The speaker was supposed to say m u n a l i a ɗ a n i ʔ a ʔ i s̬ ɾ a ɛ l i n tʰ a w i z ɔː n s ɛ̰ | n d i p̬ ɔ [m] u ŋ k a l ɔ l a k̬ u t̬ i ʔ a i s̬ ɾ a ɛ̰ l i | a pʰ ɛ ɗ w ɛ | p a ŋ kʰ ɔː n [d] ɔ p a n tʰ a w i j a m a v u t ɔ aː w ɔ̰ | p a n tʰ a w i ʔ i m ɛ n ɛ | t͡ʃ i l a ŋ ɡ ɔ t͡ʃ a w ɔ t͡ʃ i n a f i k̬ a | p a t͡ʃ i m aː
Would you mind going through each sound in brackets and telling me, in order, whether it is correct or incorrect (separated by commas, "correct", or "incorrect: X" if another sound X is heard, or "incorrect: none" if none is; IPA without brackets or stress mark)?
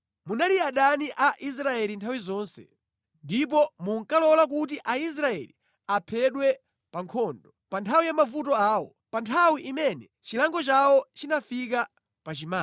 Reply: correct, correct